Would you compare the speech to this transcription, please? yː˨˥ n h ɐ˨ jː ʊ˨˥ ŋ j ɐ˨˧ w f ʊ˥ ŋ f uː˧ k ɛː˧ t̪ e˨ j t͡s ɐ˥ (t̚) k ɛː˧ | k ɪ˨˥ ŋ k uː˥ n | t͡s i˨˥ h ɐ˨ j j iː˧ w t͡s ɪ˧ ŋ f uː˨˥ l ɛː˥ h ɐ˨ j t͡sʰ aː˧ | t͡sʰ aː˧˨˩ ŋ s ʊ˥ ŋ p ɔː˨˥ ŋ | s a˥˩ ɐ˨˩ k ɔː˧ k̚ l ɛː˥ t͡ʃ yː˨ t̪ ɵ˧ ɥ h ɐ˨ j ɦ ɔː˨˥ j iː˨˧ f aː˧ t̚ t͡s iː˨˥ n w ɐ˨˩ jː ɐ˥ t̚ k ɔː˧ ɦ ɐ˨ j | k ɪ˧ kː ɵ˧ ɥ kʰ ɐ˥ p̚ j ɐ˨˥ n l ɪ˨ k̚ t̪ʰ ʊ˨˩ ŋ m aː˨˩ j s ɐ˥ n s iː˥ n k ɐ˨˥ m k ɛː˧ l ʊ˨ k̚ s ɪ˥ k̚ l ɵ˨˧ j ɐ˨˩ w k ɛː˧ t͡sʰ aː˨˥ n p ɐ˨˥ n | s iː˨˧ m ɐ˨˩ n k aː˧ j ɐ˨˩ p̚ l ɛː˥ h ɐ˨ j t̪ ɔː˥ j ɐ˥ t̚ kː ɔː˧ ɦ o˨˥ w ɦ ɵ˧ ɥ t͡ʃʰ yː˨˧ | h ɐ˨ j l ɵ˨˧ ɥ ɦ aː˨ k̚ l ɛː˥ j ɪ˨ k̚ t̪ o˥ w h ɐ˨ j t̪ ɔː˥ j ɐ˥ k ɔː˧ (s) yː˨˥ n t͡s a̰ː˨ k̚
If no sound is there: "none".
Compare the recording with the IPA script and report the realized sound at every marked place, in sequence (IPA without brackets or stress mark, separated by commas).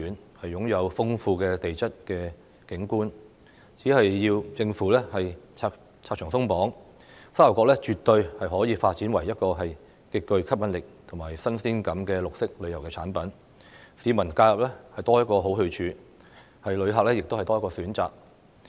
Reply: t̚, s